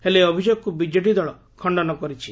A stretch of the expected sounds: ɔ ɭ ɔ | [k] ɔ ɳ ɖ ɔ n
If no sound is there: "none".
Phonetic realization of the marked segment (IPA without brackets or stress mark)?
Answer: kʰ